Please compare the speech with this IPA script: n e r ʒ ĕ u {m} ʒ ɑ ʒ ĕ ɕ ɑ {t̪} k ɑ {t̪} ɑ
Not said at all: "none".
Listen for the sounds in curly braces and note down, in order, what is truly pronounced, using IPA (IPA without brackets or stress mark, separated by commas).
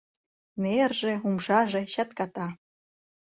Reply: m, t̪, t̪